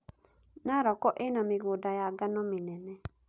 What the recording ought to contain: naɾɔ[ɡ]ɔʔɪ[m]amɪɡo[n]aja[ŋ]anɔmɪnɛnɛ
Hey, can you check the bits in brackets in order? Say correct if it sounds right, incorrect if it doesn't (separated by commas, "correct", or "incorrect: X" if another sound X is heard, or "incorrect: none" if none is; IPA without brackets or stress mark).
incorrect: k, incorrect: n, incorrect: d, incorrect: ɡ